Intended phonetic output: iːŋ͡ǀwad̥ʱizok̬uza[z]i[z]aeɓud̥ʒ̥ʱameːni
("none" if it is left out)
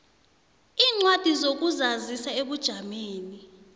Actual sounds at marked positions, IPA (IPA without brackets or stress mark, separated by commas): z, s